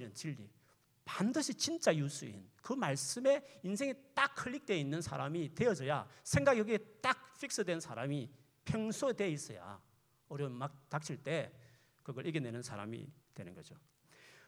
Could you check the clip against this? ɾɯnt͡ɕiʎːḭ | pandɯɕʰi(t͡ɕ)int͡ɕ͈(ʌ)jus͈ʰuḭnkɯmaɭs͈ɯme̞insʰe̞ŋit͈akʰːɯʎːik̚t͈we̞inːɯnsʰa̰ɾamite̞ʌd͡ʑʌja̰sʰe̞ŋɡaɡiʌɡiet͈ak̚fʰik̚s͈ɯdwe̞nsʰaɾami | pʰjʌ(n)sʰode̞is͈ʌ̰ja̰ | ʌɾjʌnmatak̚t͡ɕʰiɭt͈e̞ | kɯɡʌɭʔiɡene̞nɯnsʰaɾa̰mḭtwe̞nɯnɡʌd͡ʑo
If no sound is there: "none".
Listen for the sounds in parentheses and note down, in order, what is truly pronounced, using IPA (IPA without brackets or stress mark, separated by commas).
t͡ɕ, a, ŋ